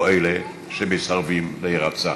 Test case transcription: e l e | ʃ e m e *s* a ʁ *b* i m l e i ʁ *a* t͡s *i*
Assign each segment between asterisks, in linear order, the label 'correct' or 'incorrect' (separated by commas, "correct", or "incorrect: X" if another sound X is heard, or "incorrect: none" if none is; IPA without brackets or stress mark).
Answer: correct, incorrect: v, correct, incorrect: a